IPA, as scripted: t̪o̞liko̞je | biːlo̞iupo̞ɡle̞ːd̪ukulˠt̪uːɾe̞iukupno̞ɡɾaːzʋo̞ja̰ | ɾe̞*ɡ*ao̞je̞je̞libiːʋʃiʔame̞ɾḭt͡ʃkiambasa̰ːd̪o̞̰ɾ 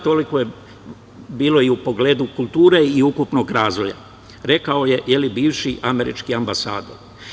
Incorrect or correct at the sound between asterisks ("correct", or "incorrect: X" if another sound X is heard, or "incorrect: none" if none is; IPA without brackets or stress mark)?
incorrect: k